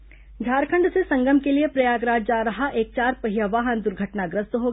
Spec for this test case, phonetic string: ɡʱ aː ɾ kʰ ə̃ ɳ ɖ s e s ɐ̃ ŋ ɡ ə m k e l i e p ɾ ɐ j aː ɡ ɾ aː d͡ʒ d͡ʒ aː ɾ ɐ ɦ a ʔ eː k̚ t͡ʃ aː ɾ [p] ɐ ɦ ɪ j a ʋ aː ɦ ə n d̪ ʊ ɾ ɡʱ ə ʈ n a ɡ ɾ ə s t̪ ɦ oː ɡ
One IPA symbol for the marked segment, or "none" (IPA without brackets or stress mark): p